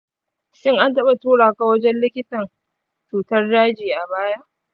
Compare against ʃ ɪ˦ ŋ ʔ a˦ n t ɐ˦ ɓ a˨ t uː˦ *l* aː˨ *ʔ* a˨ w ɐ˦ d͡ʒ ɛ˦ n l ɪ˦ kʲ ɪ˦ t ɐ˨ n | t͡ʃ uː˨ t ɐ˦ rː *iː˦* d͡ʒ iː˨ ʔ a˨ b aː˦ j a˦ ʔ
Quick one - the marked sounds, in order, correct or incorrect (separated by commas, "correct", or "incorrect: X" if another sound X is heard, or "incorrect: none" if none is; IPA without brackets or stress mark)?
incorrect: ɽ, incorrect: k, incorrect: aː˦